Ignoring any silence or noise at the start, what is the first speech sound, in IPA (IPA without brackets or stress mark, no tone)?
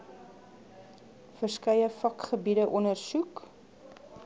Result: f